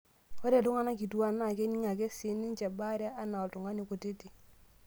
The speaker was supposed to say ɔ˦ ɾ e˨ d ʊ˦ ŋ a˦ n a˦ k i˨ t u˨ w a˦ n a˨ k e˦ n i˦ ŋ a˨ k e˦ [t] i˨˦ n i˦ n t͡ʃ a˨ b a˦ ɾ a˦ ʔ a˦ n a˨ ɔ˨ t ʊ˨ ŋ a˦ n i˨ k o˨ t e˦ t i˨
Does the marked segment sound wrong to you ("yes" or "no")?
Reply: yes